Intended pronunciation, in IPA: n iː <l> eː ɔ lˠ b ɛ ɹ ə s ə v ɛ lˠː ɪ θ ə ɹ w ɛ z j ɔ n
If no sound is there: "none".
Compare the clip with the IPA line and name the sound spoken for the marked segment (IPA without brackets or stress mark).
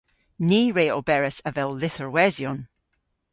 ɹ